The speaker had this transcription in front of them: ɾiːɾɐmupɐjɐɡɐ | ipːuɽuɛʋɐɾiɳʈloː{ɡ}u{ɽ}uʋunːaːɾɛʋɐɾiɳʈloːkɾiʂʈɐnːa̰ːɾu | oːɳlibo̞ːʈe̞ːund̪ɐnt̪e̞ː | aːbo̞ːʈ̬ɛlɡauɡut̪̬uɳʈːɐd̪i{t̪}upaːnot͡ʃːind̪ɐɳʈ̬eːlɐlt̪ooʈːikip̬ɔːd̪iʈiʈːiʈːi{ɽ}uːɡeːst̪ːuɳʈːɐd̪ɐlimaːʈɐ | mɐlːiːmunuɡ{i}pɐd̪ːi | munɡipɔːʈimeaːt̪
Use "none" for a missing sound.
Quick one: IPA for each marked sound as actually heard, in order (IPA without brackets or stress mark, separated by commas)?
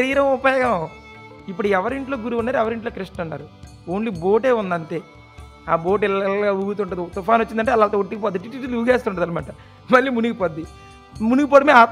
ɡ, ɾ, t̪, l, i